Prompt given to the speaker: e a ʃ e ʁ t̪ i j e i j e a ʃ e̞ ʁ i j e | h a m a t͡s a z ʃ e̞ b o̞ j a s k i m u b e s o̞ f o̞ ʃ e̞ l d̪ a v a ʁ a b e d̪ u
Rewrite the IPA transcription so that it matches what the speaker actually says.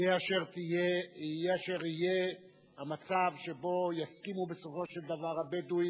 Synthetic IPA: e a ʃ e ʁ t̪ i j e i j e a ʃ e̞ ʁ i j e | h a m a t͡s a v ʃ e̞ b o̞ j a s k i m u b e s o̞ f o̞ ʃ e̞ l d̪ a v a ʁ a b e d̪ u